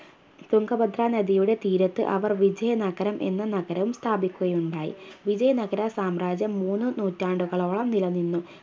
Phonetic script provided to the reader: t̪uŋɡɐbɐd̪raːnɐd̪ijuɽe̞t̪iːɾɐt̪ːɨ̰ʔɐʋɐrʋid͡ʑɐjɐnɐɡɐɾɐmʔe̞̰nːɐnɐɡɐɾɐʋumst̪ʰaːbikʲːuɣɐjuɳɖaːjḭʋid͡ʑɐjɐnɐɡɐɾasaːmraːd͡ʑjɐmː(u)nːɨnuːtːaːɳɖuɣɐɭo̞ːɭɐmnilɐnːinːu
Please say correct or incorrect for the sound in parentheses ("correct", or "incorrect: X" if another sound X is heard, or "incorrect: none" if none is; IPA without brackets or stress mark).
incorrect: uː